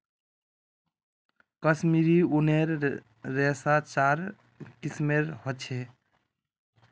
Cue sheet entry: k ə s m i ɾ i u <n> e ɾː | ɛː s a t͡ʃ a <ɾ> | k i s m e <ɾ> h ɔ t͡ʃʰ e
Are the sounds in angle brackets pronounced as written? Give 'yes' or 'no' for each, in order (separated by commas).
yes, yes, yes